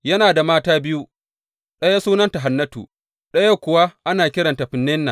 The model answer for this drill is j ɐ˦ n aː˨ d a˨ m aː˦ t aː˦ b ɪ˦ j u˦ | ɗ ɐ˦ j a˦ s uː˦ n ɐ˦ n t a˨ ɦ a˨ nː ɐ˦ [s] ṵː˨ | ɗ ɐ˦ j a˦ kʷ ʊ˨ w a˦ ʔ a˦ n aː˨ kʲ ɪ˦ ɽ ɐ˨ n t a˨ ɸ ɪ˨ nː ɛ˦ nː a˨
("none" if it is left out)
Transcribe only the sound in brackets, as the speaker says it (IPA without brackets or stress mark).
t